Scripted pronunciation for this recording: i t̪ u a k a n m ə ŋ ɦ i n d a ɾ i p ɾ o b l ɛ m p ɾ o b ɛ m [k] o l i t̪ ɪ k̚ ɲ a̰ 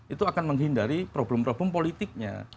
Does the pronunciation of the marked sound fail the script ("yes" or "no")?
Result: yes